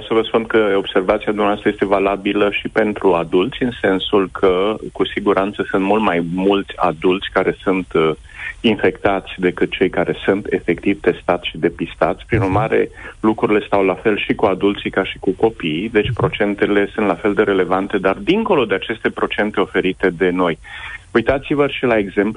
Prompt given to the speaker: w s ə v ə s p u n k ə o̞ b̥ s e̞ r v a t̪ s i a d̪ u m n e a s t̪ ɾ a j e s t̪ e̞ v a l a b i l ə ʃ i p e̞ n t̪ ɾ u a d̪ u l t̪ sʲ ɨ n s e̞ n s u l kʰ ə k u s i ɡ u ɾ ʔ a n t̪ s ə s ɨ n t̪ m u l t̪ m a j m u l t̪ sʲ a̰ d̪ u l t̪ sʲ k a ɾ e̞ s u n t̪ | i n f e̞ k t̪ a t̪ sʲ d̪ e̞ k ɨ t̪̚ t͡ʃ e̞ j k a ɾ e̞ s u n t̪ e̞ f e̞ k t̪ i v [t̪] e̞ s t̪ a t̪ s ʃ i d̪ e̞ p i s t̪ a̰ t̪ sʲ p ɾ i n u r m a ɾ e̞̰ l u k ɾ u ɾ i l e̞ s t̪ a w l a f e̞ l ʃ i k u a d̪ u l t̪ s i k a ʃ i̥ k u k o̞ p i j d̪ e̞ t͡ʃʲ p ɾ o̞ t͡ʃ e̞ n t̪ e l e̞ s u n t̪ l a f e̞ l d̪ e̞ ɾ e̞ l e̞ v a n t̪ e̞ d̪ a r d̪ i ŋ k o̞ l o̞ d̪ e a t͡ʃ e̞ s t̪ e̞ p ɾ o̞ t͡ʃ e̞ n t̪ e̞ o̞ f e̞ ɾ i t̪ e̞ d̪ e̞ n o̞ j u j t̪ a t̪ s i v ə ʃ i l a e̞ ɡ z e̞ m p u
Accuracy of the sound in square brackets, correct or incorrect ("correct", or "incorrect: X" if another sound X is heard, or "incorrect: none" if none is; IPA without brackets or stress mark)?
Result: correct